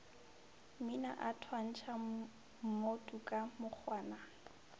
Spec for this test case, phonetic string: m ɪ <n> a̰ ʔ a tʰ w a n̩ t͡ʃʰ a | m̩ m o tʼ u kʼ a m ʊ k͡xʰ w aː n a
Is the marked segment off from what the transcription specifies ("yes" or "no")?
no